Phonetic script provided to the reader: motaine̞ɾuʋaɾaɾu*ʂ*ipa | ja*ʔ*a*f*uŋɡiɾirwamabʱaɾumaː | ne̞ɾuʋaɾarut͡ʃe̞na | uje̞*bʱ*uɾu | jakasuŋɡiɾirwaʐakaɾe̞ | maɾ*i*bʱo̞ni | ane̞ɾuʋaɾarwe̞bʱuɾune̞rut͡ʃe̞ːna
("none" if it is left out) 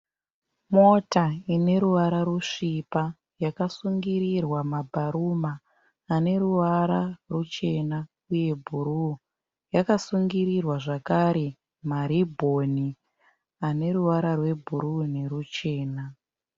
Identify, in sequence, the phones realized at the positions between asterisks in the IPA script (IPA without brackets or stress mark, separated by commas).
ʂ, k, s, bʱ, i